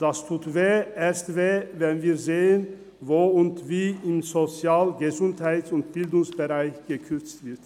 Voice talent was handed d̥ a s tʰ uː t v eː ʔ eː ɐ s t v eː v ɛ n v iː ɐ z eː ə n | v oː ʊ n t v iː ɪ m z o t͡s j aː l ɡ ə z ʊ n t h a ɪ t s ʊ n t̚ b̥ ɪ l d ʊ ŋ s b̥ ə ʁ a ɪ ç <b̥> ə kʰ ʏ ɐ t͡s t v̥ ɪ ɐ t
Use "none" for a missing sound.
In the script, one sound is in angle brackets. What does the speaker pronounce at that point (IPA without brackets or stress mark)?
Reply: ɡ̥